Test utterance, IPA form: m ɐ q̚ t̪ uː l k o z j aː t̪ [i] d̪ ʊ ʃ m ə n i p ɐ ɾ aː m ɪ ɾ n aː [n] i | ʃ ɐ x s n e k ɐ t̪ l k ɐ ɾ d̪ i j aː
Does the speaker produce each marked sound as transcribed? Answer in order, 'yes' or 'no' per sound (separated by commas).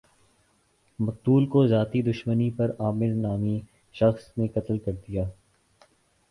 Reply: yes, no